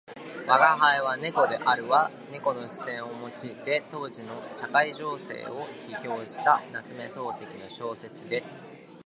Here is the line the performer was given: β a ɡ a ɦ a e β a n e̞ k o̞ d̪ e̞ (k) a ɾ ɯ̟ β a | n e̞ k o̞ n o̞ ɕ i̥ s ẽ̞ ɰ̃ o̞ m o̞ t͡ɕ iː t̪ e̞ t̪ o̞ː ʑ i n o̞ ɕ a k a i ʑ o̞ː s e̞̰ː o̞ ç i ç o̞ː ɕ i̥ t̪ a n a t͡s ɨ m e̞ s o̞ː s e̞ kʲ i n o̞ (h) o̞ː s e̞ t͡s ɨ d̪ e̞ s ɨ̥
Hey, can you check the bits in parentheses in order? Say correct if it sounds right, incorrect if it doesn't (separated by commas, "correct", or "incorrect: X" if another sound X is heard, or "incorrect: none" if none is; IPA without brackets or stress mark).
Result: incorrect: ʔ, incorrect: ɕ